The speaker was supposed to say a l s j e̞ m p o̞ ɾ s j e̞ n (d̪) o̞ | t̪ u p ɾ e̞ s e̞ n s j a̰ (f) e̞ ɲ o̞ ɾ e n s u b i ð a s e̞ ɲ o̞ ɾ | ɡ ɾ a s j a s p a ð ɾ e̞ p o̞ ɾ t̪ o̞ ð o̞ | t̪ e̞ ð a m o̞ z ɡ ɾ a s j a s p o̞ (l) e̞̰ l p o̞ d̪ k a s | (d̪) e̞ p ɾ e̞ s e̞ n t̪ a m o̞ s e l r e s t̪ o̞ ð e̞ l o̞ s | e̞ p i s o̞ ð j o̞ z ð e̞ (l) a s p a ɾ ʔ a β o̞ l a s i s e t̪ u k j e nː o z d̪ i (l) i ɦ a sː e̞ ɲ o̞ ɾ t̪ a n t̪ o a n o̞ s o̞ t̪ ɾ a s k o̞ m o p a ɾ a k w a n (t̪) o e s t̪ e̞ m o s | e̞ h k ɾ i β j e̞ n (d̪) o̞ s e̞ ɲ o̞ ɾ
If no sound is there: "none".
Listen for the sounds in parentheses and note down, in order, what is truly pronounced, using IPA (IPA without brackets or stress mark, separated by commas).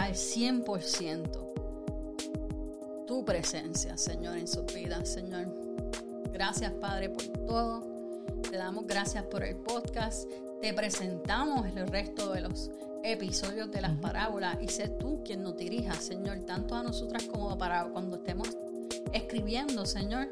t̪, s, ɾ, t̪, l, ɾ, d̪, d̪